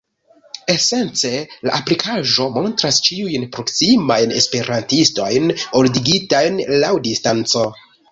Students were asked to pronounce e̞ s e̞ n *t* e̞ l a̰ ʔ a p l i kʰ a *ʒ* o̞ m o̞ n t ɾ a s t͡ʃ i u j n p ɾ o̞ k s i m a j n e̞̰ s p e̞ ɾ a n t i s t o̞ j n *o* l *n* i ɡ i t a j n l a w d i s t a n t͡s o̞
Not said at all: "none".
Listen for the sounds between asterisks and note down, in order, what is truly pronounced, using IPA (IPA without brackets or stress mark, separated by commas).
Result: t͡s, ʒ, o, d